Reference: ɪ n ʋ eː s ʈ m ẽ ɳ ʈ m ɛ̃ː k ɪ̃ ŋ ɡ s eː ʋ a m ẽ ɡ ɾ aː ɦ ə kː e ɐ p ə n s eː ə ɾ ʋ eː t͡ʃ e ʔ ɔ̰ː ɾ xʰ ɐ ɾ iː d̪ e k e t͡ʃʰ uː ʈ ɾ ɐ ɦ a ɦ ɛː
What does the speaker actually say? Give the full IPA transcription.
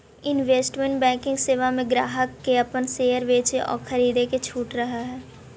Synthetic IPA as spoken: ɪ n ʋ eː s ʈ m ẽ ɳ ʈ b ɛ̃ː k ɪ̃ ŋ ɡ s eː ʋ a m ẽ ɡ ɾ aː ɦ ə kː e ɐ p ə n s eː ə ɾ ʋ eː t͡ʃ e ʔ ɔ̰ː ɾ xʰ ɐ ɾ iː d̪ e k e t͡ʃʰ uː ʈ ɾ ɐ ɦ a ɦ ɛː